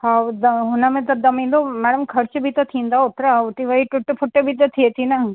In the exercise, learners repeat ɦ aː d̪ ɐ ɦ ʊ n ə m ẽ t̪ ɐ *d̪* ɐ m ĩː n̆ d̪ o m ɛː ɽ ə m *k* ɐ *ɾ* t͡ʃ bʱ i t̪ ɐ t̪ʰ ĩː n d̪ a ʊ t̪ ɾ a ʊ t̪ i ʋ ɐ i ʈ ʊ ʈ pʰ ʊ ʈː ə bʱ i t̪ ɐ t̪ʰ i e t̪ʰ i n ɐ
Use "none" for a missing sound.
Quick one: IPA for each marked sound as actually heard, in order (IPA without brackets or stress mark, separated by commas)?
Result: d̪, kʰ, ɾ